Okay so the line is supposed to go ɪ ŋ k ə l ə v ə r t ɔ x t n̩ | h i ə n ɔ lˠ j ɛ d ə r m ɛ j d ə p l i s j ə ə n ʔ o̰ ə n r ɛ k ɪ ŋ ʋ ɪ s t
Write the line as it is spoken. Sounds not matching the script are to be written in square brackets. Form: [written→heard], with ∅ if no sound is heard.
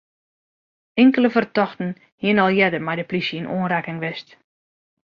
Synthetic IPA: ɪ ŋ k ə l ə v ə r t ɔ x t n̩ | h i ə n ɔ lˠ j ɛ d ə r m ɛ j d ə p l i s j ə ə n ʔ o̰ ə n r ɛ k ɪ ŋ ʋ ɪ s t